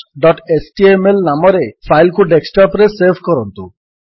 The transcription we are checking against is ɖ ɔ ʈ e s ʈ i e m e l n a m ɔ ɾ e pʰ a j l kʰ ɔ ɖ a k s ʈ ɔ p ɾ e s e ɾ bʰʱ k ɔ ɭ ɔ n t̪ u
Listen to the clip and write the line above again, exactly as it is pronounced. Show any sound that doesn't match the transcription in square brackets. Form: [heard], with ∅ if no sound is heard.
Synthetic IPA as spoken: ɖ ɔ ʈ e s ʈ i e m e l n a m ɔ ɾ e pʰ a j l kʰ [u] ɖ [e] k s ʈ ɔ p ɾ e s e ɾ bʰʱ k ɔ [ɾ] ɔ n t̪ u

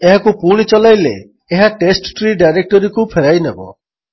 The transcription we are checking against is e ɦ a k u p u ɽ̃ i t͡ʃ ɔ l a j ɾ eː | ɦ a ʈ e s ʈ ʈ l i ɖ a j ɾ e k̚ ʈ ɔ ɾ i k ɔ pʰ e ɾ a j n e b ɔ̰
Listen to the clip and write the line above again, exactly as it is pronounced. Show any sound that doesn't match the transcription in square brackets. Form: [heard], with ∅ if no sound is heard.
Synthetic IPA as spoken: e ɦ a k u p u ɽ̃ i t͡ʃ ɔ l a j [l] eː | ɦ a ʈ e s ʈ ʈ [ɾ] i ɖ a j ɾ e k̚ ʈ ɔ ɾ i k [u] pʰ e ɾ a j n e b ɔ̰

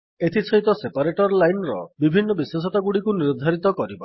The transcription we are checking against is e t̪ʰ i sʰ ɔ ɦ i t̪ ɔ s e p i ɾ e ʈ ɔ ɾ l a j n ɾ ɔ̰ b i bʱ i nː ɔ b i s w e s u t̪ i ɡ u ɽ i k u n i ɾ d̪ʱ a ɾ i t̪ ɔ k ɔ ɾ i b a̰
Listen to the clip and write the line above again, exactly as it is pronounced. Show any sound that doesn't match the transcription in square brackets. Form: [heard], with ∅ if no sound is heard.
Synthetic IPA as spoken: e t̪ʰ i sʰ ɔ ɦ i t̪ ɔ s e p [a] ɾ e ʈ ɔ ɾ l a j n ɾ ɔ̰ b i bʱ i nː ɔ b i s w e s [ɔ] t̪ [a] ɡ u ɽ i k u n i ɾ d̪ʱ a ɾ i t̪ ɔ k ɔ ɾ i b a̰

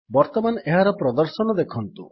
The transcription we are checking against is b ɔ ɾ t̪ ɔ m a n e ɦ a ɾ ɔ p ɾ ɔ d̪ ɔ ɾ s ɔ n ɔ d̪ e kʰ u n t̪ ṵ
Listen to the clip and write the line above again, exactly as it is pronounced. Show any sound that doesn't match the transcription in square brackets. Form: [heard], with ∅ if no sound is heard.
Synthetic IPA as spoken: b ɔ ɾ t̪ ɔ m a n e ɦ a ɾ ɔ p ɾ ɔ d̪ ɔ ɾ s ɔ n ɔ d̪ e kʰ [ɔ] n t̪ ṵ

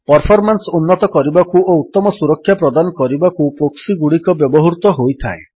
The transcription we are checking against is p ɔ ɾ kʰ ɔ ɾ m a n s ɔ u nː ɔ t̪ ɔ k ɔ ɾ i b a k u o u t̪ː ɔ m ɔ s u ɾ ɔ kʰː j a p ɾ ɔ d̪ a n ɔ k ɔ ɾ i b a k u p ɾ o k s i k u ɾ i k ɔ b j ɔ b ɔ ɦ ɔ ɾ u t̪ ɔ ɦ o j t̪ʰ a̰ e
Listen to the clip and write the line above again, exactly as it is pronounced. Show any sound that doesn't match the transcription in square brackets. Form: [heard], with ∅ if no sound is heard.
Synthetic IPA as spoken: p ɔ ɾ [pʰ] ɔ ɾ m a n s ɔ u nː ɔ t̪ ɔ k ɔ ɾ i b a k u o u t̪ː ɔ m ɔ s u ɾ ɔ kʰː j a p ɾ ɔ d̪ a n ɔ k ɔ ɾ i b a k u p ɾ o k s i [ɡ] u [ɽ] i k ɔ b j ɔ b ɔ ɦ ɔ ɾ u t̪ ɔ ɦ o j t̪ʰ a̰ e

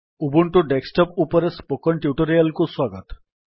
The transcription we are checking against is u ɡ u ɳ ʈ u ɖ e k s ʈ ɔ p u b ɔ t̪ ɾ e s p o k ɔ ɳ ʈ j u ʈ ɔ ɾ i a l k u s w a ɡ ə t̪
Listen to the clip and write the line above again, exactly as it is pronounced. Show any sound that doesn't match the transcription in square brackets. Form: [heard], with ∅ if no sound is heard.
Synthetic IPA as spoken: u [b] u ɳ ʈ u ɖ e k s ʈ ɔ p u [p] ɔ [∅] ɾ e s p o k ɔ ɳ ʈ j u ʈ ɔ ɾ i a l k u s w a ɡ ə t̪

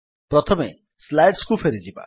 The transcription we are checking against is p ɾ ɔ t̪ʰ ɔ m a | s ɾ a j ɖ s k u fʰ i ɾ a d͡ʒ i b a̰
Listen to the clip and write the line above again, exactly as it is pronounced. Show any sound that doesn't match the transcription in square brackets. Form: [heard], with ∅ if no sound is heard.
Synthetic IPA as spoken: p ɾ ɔ t̪ʰ ɔ m [e] | s [l] a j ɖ s k u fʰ [e] ɾ [i] d͡ʒ i b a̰

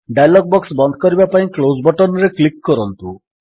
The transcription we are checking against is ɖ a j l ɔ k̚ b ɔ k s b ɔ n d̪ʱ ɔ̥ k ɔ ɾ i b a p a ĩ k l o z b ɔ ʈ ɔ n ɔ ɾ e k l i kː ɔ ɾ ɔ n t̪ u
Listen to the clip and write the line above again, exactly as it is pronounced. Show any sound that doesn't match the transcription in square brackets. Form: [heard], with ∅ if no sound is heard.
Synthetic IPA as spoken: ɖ a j l ɔ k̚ b ɔ k s b ɔ n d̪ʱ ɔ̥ k ɔ ɾ i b a p a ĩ k l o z b ɔ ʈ ɔ n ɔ ɾ e k l i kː ɔ ɾ ɔ n t̪ u

